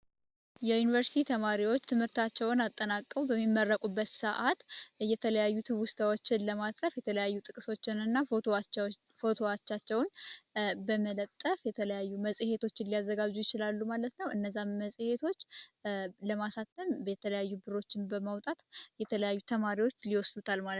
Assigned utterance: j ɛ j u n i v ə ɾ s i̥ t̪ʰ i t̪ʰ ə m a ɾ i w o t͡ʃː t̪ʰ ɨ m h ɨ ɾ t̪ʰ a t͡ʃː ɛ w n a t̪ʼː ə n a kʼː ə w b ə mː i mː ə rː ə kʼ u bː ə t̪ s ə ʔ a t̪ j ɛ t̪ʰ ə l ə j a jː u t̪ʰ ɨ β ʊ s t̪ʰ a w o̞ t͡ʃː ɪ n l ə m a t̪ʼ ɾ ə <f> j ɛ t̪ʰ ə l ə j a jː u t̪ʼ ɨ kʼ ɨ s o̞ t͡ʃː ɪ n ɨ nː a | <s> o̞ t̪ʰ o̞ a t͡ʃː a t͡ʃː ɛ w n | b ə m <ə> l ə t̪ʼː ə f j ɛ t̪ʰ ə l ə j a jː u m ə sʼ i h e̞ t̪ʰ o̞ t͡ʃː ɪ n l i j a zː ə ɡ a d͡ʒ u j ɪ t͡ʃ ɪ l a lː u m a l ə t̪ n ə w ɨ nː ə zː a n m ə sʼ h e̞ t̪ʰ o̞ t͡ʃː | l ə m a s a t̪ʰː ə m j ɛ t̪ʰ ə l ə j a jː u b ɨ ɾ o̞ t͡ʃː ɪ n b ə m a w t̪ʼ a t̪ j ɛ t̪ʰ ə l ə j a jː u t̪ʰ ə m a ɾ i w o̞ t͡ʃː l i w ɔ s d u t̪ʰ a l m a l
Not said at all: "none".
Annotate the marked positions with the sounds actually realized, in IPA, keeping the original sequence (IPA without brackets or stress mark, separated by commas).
f, f, ə